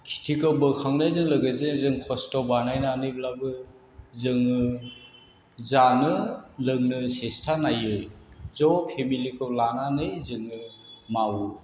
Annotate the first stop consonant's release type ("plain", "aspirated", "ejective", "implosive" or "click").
aspirated